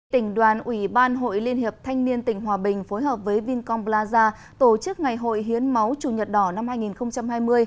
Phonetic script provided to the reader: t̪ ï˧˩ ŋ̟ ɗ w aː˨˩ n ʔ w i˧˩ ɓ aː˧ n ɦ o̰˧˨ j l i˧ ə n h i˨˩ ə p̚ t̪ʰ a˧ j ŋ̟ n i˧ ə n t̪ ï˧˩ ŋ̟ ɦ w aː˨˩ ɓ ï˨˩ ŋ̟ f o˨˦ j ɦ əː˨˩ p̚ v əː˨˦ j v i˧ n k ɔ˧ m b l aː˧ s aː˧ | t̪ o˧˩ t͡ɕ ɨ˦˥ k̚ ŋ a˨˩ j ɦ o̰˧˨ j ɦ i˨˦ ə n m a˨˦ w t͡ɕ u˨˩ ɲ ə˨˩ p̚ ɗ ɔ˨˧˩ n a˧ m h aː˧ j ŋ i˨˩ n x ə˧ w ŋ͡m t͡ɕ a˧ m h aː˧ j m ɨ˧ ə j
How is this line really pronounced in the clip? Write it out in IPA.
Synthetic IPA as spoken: t̪ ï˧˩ ŋ̟ ɗ w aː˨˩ n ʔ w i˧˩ ɓ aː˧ n ɦ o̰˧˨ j l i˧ ə n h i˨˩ ə p̚ t̪ʰ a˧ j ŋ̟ n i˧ ə n t̪ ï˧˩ ŋ̟ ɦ w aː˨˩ ɓ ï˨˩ ŋ̟ f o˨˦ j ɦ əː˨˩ p̚ v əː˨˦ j v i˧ n k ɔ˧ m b l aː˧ z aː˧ | t̪ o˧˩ t͡ɕ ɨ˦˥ k̚ ŋ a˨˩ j ɦ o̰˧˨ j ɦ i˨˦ ə n m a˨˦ w t͡ɕ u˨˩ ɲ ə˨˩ t̚ ɗ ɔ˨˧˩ n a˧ m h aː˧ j ŋ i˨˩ n x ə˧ w ŋ͡m t͡ɕ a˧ m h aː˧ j m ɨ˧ ə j

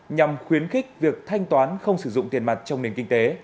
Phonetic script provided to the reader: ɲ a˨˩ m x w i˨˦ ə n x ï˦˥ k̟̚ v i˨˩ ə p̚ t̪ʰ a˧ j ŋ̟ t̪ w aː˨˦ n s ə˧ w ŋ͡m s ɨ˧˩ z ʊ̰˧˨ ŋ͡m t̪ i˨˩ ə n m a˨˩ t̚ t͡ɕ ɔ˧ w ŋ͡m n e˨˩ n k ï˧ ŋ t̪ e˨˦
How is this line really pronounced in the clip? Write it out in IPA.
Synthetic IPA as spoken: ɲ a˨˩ m x w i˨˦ ə n x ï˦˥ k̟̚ v i˨˩ ə k̚ t̪ʰ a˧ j ŋ̟ t̪ w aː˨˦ n x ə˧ w ŋ͡m s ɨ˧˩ z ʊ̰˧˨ ŋ͡m t̪ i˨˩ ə n m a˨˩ t̚ t͡ɕ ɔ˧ w ŋ͡m n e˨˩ n k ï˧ ŋ t̪ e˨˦

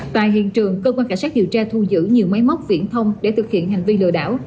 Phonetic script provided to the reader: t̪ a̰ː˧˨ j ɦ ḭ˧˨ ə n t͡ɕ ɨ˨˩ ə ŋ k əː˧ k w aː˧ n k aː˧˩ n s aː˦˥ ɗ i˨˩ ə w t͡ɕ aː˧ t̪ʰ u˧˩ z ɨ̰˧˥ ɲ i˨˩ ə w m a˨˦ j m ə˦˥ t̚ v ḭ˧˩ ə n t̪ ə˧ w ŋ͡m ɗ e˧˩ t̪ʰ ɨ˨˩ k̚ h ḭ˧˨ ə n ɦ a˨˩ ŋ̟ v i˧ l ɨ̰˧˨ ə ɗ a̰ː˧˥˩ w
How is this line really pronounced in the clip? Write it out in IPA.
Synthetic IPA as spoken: t̪ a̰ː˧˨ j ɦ ḭ˧˨ ə n t͡ɕ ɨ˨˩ ə ŋ k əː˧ k w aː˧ n k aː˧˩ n s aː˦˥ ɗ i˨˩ ə w t͡ɕ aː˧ t̪ʰ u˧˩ z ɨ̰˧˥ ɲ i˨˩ ə w m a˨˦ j m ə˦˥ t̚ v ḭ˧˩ ə n t̪ʰ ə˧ w ŋ͡m ɗ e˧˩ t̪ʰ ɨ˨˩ k̚ h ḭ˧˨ ə n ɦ a˨˩ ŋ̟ v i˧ l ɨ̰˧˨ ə ɗ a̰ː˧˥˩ w

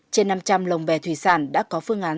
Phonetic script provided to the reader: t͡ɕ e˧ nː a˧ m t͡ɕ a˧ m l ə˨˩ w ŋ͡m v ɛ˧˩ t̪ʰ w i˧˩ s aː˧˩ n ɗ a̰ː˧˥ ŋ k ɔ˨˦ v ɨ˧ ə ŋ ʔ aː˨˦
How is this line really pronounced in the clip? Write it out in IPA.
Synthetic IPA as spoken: t͡ɕ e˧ nː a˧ m t͡ɕ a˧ m l ə˨˩ w ŋ͡m v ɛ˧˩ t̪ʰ w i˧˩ s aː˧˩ n ɗ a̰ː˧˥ k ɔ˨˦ f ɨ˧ ə ŋ ʔ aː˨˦

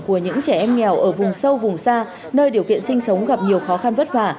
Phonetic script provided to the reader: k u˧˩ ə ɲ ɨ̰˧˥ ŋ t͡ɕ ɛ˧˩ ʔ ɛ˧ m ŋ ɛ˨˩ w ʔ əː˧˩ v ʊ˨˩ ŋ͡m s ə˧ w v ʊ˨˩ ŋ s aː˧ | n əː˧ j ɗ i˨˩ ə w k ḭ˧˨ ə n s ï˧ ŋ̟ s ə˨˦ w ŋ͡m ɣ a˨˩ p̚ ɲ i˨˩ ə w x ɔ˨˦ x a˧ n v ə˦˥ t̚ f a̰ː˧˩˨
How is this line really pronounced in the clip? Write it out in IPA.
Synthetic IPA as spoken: k u˧˩ ə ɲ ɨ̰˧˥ ŋ t͡ɕ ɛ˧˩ ʔ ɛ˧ m ŋ ɛ˨˩ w ʔ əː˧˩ v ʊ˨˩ ŋ͡m s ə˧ w v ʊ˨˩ ŋ͡m s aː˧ | n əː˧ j ɗ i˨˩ ə w k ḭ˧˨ ə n s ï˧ ŋ̟ s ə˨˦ w ŋ͡m ɣ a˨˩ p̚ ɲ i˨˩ ə w x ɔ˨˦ x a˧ n v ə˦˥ t̚ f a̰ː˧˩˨

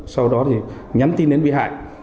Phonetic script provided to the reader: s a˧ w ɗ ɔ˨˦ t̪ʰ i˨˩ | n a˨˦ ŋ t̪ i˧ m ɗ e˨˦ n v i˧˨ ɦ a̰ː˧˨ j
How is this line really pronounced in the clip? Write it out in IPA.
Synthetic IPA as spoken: s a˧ w ɗ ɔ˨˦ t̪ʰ i˨˩ | ɲ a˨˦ m t̪ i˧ n ɗ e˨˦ n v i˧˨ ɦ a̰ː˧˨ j

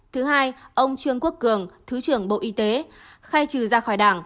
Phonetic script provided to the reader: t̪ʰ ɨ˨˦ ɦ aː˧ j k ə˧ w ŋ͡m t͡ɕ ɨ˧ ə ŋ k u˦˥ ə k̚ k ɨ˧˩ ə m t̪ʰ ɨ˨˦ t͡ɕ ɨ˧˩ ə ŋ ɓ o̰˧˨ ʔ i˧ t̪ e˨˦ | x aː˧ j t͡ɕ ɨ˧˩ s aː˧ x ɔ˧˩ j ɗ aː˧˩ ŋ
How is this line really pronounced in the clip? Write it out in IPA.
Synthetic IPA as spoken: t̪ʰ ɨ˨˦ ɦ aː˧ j ʔ ə˧ w ŋ͡m t͡ɕ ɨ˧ ə ŋ k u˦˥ ə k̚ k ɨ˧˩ ə ŋ t̪ʰ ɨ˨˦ t͡ɕ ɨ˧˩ ə ŋ ɓ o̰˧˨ ʔ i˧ t̪ e˨˦ | x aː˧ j t͡ɕ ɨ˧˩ z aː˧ x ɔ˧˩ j ɗ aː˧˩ ŋ

